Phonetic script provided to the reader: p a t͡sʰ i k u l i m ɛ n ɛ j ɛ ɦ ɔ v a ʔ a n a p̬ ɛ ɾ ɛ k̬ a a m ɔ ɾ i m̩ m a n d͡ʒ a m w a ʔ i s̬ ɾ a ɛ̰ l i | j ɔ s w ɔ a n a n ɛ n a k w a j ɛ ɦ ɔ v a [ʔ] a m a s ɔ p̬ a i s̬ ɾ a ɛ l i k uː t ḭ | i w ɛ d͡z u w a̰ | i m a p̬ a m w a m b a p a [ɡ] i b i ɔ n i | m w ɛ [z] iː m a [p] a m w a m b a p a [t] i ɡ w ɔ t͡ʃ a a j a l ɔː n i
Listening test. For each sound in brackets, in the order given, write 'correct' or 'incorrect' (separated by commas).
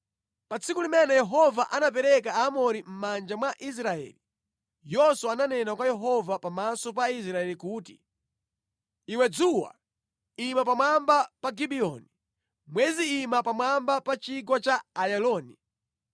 incorrect, correct, correct, correct, incorrect